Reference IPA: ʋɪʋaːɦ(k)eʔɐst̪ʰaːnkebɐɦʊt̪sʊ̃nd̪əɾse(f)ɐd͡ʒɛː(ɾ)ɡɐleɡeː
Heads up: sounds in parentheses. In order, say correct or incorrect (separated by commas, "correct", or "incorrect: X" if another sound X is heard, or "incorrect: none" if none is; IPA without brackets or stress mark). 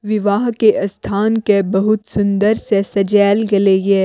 correct, incorrect: s, incorrect: l